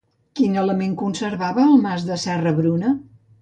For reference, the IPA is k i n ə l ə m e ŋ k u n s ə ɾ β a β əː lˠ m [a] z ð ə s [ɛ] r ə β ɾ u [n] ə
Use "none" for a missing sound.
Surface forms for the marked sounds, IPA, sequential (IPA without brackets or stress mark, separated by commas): a, ɛ, n